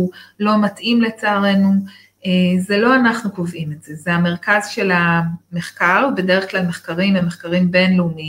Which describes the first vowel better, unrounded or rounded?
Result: rounded